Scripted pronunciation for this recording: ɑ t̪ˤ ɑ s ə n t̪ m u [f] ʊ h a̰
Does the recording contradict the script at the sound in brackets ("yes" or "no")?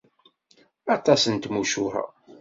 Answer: yes